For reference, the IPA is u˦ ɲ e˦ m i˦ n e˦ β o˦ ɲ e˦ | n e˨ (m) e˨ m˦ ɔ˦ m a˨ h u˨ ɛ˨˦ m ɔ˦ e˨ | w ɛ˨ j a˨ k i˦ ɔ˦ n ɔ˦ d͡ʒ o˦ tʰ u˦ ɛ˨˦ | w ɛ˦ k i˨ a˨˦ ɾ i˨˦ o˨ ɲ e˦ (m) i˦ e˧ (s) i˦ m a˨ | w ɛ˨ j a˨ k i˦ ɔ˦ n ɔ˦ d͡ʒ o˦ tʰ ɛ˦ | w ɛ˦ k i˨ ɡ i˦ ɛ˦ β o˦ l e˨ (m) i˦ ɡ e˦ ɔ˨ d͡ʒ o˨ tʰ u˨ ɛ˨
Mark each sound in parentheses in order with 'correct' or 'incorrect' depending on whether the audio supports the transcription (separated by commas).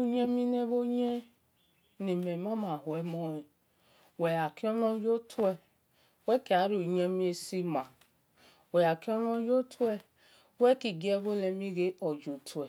correct, correct, correct, correct